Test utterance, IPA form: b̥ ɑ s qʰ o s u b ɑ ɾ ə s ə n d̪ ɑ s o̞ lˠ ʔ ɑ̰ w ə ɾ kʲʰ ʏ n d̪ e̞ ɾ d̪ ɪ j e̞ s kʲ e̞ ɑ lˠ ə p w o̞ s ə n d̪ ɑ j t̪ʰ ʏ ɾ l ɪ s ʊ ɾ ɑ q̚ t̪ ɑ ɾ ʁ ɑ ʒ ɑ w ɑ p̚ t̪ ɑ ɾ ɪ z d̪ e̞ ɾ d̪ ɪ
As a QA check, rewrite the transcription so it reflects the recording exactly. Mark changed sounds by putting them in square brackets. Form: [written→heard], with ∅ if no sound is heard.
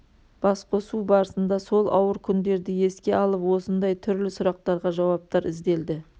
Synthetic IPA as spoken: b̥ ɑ s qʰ o s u b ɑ ɾ ə s ə n d̪ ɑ s o̞ lˠ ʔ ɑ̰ w ə ɾ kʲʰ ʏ n d̪ e̞ ɾ d̪ ɪ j e̞ s kʲ e̞ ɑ lˠ ə p w o̞ s ə n d̪ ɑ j t̪ʰ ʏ ɾ l ɪ s ʊ ɾ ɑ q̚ t̪ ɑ ɾ ʁ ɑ ʒ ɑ w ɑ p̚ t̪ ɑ ɾ ɪ z d̪ e̞ [ɾ→l] d̪ ɪ